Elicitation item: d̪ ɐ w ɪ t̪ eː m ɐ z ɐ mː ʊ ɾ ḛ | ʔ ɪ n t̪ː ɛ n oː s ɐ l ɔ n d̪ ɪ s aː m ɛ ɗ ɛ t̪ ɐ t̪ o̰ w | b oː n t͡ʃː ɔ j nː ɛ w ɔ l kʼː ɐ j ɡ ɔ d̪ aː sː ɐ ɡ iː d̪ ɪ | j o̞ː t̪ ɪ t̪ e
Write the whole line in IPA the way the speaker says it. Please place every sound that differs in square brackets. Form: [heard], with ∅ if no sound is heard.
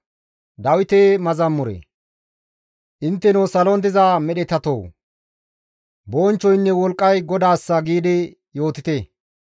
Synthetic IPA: d̪ ɐ w ɪ t̪ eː m ɐ z ɐ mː ʊ ɾ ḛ | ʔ ɪ n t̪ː ɛ n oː s ɐ l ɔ n d̪ ɪ [z] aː m ɛ ɗ ɛ t̪ ɐ t̪ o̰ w | b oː n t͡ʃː ɔ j nː ɛ w ɔ l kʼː ɐ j ɡ ɔ d̪ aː sː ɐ ɡ iː d̪ ɪ | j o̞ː t̪ ɪ t̪ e